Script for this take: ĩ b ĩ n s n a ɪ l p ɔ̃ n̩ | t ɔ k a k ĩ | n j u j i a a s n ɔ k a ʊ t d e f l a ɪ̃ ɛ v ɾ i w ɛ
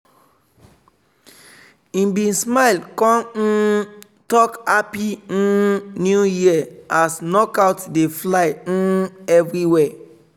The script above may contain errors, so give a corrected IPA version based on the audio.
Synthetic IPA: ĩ b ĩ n s m a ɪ l k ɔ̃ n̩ | t ɔ k a p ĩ | n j u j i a a s n ɔ k a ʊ t d e f l a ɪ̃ ɛ v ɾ i w ɛ